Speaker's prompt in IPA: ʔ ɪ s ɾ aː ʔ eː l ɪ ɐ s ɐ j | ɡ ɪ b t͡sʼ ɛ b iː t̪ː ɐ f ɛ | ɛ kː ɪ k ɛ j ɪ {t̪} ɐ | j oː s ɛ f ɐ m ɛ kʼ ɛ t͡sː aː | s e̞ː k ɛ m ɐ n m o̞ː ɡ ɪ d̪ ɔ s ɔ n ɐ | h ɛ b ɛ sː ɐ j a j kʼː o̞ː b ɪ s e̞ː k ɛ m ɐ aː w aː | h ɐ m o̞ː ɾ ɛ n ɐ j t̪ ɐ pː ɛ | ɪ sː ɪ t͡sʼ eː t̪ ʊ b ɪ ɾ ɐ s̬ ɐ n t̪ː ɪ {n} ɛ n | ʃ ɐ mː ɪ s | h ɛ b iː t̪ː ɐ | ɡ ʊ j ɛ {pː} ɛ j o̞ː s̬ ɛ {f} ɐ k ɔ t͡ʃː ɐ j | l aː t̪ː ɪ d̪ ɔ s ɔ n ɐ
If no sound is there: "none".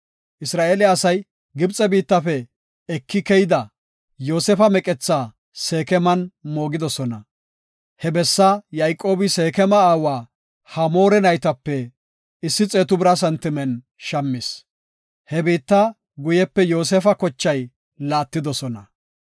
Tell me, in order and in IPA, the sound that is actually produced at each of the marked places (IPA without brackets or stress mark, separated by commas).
d̪, m, pː, f